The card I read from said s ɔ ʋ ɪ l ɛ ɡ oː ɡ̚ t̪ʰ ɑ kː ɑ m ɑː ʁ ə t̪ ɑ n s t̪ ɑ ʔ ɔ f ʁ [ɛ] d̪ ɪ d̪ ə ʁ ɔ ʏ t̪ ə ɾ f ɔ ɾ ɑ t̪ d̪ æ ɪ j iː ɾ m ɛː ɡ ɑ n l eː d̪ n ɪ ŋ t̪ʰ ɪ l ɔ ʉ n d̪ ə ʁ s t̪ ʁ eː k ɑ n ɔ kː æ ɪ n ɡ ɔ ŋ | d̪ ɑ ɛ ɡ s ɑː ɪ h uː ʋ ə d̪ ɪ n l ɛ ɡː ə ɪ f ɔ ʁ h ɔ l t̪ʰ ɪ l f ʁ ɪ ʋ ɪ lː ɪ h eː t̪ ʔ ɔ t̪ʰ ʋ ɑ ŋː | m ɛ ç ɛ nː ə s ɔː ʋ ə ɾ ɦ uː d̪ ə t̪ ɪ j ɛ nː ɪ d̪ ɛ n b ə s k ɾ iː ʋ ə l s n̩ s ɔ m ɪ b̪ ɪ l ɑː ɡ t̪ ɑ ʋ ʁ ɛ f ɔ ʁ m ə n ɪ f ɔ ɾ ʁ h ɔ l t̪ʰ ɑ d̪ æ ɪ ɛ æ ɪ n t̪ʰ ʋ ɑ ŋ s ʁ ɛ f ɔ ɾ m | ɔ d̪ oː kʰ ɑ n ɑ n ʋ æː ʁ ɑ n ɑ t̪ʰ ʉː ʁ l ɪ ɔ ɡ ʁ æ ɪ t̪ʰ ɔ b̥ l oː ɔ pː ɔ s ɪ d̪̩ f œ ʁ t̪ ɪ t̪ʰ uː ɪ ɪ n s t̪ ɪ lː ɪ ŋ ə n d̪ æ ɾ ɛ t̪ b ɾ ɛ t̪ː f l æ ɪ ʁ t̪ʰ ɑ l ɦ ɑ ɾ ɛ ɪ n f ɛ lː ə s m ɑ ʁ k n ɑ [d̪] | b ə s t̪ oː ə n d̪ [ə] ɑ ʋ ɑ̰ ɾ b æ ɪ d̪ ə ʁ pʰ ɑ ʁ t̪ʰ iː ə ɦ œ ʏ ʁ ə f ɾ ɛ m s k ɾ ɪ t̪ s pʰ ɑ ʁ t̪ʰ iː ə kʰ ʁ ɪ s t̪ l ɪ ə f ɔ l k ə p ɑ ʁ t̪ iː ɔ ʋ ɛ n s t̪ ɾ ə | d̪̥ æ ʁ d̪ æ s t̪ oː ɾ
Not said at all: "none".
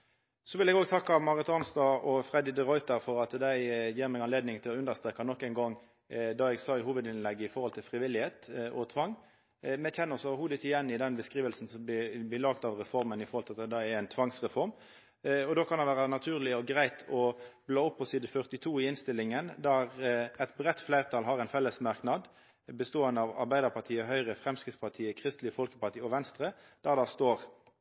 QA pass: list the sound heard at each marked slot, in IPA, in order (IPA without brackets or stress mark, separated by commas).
ɛ, d̪, ə